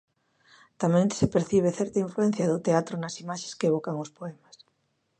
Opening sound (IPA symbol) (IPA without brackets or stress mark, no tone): t̪